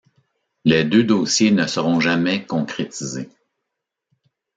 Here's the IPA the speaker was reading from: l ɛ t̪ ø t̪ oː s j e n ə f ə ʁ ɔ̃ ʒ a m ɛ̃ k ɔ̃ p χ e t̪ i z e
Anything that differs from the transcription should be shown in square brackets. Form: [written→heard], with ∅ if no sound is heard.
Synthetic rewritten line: l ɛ [t̪→d̪] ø [t̪→d̪] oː s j e n ə [f→s] ə ʁ ɔ̃ ʒ a m [ɛ̃→ɛ] k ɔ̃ [p→k] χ e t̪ i z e